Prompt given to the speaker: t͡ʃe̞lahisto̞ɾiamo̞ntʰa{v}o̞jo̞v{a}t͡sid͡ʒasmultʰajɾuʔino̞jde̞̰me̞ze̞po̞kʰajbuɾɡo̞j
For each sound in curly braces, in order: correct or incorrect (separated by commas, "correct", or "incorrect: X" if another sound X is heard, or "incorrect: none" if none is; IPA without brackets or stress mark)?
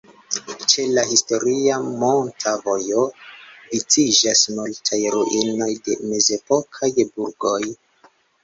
correct, incorrect: i